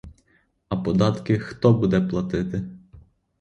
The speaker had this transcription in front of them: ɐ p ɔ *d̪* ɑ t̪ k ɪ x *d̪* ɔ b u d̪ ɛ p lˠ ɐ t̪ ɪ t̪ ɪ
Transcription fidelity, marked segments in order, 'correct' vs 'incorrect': correct, incorrect: t̪

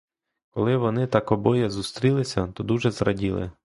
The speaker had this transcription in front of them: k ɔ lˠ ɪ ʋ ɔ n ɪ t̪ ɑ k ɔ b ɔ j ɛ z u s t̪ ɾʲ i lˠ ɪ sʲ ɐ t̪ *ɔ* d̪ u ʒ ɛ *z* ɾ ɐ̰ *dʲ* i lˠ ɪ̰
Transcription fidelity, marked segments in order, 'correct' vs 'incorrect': correct, correct, correct

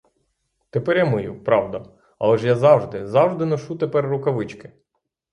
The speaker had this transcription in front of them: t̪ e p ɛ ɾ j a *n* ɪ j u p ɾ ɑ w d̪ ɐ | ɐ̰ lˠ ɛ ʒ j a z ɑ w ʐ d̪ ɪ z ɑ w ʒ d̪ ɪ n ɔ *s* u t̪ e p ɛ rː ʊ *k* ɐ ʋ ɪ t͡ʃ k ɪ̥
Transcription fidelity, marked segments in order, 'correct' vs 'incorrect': incorrect: m, incorrect: ʃ, correct

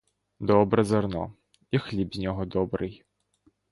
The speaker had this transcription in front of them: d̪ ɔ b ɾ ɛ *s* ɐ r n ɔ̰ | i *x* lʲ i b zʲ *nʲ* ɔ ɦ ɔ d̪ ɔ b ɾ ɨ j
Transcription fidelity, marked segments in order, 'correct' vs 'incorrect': incorrect: z, correct, correct

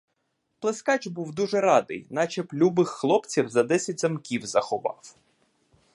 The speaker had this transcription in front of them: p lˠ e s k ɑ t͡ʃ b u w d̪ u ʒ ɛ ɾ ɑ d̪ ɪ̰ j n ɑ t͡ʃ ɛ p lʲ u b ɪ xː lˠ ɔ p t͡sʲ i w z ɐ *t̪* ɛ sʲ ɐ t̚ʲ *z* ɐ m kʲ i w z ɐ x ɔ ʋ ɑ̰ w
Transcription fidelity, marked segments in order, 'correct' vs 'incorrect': incorrect: d̪, correct

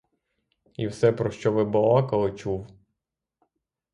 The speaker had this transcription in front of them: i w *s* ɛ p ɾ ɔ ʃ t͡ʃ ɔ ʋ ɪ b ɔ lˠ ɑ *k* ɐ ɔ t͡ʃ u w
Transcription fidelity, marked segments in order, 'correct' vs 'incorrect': correct, correct

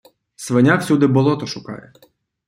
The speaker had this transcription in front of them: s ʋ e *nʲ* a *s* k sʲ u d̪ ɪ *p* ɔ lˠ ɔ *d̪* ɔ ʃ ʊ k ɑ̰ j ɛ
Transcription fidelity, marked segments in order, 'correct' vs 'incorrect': correct, incorrect: none, incorrect: b, incorrect: t̪

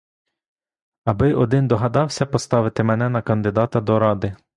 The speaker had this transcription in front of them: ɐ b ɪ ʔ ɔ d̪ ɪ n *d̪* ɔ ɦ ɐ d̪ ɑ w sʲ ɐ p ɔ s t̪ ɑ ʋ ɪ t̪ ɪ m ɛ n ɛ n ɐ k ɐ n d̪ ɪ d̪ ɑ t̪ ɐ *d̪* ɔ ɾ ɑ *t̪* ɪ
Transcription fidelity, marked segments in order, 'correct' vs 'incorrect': correct, correct, incorrect: d̪

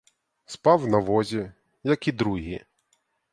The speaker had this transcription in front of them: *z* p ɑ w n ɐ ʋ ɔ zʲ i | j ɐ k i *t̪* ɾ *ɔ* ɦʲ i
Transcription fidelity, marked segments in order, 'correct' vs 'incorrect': incorrect: s, incorrect: d̪, incorrect: u

